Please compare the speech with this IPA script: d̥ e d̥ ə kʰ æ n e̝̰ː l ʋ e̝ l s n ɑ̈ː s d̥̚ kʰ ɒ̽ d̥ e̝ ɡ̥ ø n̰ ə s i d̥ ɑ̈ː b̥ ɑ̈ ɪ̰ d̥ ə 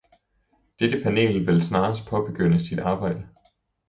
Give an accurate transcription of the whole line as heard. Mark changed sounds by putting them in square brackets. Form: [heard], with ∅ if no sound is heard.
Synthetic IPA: d̥ e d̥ ə [pʰ] æ n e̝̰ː l ʋ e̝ l s n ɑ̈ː s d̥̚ [pʰ] ɒ̽ [b̥] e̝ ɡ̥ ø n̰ ə s i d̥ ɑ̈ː b̥ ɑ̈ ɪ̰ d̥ ə